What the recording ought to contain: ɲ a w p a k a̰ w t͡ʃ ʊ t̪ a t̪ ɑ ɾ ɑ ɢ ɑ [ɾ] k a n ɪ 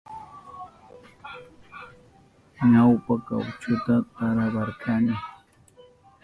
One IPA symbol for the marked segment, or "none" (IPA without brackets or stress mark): ɾ